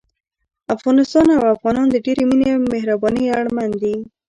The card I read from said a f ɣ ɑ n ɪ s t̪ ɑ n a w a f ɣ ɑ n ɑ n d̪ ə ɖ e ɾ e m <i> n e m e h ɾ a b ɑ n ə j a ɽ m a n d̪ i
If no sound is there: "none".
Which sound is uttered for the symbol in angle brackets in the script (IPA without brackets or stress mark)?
i